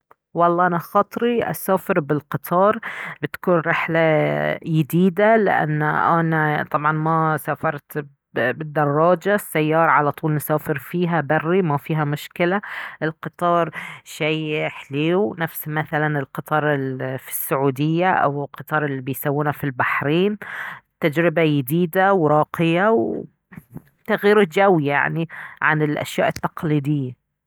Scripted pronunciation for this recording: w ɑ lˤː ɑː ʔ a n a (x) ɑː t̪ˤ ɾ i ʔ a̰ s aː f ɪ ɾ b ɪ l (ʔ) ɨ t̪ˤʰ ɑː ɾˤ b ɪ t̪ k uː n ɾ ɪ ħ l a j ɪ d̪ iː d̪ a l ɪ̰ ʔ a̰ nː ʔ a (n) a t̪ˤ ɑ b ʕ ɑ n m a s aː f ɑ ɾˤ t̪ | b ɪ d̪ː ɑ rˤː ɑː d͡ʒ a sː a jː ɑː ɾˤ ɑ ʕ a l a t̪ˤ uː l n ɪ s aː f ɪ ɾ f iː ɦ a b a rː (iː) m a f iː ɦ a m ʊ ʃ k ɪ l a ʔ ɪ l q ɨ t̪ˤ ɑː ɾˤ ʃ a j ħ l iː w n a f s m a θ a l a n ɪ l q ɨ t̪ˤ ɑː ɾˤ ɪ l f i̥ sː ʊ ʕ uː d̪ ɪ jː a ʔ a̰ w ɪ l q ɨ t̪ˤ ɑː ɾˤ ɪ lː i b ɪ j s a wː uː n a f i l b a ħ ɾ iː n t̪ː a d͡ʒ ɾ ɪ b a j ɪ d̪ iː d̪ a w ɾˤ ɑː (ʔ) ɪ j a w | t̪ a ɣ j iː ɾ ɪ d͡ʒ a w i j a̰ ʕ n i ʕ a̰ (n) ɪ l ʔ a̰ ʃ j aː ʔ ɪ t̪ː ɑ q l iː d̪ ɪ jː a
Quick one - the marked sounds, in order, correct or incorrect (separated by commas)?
correct, incorrect, correct, incorrect, incorrect, correct